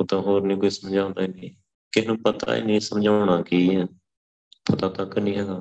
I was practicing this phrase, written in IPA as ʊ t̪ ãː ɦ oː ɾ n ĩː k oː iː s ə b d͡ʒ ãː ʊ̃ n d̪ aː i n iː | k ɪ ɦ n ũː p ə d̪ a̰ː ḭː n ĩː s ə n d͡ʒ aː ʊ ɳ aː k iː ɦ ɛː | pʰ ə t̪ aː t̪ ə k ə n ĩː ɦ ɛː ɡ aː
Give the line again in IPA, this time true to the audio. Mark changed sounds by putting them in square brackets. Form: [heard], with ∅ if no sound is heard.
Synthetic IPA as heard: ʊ t̪ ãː ɦ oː ɾ n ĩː k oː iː s ə [m] d͡ʒ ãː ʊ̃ n d̪ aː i n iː | k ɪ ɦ n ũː p ə [t̪] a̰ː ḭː n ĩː s ə [m] d͡ʒ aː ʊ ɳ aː k iː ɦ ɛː | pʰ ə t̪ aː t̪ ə k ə n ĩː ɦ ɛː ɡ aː